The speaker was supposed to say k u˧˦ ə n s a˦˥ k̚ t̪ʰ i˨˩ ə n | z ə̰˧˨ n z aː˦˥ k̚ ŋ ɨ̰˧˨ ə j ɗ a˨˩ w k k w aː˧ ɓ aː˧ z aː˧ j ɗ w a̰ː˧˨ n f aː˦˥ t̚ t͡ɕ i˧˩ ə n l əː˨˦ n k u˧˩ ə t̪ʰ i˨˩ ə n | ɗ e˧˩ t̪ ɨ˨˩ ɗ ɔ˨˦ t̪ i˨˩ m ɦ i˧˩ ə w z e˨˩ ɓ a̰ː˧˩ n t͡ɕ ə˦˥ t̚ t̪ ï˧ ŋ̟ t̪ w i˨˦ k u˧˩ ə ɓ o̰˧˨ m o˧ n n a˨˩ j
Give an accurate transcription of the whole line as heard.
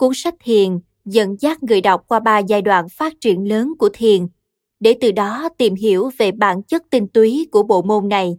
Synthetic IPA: k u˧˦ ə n s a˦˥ k̚ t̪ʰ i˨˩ ə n | z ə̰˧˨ n z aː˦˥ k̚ ŋ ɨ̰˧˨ ə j ɗ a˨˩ w k͡p̚ k w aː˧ ɓ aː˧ z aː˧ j ɗ w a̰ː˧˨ n f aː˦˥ t̚ t͡ɕ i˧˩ ə n l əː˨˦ n k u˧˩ ə t̪ʰ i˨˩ ə n | ɗ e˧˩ t̪ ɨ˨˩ ɗ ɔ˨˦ t̪ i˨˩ m ɦ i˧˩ ə w v e˨˩ ɓ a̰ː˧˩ n t͡ɕ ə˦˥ t̚ t̪ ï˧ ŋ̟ t̪ w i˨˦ k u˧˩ ə ɓ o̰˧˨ m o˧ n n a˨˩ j